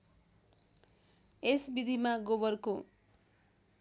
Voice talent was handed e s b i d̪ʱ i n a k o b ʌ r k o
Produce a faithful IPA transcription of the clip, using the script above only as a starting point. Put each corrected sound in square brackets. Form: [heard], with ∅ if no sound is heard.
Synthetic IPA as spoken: e s b i d̪ʱ i [m] a [ɡ] o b ʌ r k o